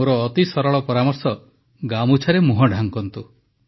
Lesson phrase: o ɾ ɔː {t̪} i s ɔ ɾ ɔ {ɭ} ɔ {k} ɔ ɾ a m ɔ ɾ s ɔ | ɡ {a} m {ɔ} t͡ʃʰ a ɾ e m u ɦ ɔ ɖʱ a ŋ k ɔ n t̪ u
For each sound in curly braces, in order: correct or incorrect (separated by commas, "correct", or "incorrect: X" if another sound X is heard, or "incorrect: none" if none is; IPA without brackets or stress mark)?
correct, correct, incorrect: p, correct, incorrect: u